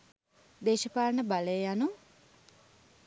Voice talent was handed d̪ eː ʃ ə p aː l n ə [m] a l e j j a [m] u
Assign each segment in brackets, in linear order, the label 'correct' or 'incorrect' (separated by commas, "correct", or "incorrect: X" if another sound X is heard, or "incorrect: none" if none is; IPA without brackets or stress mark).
incorrect: b, incorrect: n